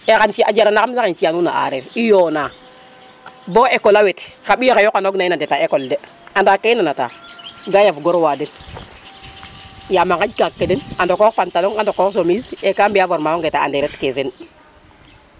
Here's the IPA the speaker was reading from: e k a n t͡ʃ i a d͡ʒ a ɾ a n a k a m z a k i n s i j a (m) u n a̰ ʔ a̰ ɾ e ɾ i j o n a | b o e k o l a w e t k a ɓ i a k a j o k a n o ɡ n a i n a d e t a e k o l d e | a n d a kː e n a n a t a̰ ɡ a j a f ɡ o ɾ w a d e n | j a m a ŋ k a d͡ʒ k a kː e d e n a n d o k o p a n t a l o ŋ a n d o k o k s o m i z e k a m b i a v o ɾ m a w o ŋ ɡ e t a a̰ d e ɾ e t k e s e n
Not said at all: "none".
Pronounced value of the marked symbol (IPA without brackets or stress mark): n